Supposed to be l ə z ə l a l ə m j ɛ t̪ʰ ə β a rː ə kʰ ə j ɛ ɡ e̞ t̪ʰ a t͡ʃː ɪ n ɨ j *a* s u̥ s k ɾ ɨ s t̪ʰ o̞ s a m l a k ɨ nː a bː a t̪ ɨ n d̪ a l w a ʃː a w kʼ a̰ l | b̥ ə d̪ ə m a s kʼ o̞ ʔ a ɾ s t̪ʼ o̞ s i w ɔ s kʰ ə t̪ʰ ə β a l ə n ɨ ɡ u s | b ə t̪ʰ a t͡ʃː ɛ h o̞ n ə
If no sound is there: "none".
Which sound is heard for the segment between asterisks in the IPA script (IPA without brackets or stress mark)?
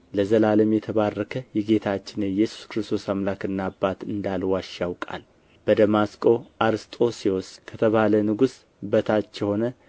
ɛ